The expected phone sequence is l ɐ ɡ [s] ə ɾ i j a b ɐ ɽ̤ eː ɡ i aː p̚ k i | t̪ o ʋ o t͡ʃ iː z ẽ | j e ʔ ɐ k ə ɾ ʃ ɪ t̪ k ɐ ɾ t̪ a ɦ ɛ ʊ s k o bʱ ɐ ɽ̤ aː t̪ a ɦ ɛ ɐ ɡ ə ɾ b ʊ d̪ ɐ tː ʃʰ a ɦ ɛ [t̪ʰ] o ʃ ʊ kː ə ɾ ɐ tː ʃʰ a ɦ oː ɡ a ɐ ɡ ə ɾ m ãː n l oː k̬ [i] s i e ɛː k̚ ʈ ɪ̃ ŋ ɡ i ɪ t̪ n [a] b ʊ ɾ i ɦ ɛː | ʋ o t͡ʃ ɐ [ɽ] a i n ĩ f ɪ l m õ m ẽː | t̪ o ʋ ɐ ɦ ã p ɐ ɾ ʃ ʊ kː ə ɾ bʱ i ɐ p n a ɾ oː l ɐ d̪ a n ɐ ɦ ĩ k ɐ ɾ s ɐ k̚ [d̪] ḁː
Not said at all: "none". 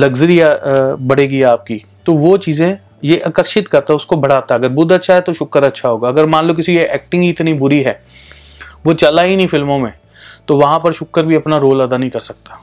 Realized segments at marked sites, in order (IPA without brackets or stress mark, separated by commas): z, t̪, ɪ, i, l, t̪